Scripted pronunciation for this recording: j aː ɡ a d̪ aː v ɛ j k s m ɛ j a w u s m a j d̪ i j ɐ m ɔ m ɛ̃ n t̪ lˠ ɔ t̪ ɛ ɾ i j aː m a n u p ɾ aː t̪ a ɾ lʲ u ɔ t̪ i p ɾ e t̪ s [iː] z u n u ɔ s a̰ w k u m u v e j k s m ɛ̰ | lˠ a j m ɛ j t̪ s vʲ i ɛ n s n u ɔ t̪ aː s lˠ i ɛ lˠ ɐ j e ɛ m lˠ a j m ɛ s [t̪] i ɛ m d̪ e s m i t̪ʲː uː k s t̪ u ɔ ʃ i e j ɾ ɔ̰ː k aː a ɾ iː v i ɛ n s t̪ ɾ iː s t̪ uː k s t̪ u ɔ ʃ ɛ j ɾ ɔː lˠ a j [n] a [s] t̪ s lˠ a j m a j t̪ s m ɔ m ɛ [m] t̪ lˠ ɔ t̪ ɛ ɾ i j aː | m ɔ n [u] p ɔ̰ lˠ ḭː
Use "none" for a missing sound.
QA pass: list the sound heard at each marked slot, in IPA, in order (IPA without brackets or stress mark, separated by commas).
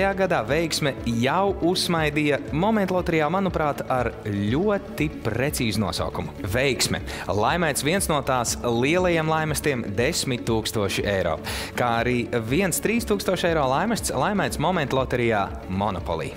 iː, t̪, m, s, n, ɔ